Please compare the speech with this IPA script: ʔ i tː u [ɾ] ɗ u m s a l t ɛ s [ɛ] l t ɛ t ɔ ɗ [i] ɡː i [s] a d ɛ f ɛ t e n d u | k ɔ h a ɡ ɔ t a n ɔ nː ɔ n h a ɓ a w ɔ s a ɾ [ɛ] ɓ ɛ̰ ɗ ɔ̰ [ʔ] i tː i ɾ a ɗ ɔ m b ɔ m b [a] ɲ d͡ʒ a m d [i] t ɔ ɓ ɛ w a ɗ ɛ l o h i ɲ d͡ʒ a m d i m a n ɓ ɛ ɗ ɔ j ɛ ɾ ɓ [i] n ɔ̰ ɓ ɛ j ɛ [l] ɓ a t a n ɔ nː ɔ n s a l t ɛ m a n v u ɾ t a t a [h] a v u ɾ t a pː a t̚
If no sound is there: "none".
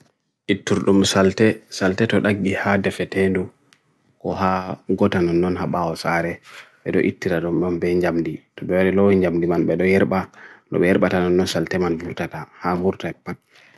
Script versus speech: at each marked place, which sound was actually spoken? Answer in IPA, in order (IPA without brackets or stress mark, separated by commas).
ɾ, a, a, h, ɛ, ʔ, ɛ, i, a, ɾ, h